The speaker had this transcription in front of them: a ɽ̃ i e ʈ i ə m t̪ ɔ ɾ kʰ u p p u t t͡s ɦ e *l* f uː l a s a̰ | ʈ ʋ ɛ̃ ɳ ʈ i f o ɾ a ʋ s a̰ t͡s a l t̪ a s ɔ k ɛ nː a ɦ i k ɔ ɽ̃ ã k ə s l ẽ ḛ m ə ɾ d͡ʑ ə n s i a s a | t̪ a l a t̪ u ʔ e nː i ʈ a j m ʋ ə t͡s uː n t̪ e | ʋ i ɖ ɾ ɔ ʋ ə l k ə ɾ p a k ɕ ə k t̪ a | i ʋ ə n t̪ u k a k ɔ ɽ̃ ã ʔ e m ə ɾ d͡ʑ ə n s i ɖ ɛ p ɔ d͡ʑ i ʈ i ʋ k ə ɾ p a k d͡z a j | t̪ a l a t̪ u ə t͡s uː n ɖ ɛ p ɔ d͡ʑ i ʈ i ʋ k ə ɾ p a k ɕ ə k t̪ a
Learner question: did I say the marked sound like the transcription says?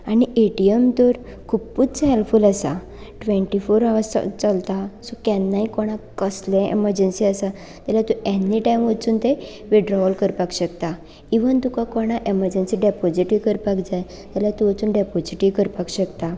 yes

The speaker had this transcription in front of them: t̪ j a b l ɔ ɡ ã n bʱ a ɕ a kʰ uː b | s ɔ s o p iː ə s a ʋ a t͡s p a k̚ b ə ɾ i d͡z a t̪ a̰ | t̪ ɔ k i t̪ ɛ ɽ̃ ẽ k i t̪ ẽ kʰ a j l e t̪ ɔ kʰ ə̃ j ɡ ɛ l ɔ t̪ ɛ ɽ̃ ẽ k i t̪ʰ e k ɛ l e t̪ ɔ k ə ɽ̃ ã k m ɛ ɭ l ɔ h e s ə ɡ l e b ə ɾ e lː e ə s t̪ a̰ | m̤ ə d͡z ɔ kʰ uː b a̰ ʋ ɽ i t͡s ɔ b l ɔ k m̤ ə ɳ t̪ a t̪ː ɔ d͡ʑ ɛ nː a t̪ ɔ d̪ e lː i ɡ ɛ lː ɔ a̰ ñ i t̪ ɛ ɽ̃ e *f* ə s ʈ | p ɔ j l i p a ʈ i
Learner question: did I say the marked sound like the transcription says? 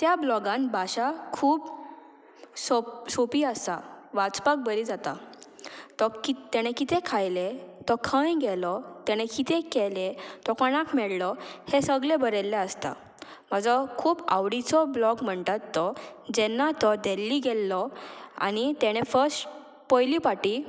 yes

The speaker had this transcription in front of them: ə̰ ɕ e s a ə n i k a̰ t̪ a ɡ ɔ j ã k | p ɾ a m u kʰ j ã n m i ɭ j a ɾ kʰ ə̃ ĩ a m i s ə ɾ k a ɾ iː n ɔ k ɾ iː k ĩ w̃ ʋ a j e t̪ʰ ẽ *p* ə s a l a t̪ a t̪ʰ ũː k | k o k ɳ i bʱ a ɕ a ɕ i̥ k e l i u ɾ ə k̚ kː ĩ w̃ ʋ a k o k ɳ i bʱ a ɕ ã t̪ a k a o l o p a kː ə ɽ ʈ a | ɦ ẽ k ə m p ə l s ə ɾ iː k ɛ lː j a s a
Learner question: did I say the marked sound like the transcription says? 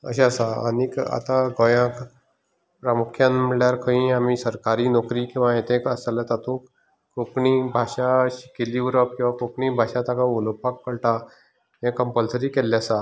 no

